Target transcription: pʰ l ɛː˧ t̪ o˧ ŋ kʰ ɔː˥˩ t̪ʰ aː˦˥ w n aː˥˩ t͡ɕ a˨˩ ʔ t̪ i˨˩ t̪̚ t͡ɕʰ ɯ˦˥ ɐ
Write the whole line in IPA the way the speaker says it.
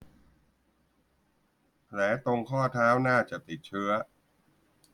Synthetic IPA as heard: pʰ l ɛː˩˦ t̪ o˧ ŋ kʰ ɔː˥˩ t̪ʰ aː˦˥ w n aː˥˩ t͡ɕ a˨˩ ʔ t̪ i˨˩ t̪̚ t͡ɕʰ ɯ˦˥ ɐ